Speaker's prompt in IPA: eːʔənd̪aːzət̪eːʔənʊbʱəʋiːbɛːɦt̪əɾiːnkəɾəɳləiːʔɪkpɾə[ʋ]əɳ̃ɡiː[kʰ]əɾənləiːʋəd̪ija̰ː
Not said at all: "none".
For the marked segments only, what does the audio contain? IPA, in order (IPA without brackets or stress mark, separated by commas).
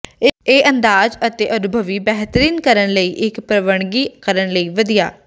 ʋ, k